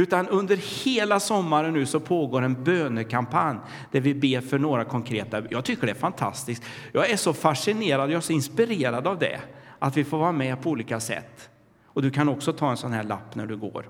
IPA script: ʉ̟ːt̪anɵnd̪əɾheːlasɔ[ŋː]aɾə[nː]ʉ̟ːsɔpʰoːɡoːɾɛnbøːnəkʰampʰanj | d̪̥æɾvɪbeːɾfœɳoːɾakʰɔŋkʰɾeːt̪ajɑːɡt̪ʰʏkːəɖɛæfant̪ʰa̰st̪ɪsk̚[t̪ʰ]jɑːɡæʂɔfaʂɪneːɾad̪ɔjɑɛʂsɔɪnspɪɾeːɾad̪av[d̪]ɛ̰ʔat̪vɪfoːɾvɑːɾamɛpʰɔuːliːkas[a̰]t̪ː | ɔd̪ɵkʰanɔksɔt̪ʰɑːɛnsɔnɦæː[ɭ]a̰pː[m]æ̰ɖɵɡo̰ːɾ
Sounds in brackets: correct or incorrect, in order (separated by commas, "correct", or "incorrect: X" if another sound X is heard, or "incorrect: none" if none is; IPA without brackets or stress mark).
incorrect: mː, correct, incorrect: t̪, correct, incorrect: ɛ̰, correct, incorrect: n